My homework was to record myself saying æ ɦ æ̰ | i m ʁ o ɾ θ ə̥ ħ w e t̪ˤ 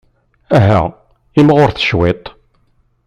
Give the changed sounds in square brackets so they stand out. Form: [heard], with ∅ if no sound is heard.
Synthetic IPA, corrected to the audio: æ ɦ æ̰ | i m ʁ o ɾ θ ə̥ [ʃ] w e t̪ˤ